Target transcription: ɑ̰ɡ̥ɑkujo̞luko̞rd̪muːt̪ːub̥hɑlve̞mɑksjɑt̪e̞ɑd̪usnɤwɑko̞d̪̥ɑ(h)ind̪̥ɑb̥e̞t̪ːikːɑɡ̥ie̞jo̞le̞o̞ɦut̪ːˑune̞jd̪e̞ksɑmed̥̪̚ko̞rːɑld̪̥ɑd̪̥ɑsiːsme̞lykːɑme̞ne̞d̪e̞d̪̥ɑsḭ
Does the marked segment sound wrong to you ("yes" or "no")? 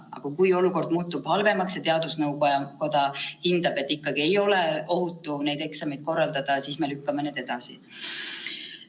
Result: no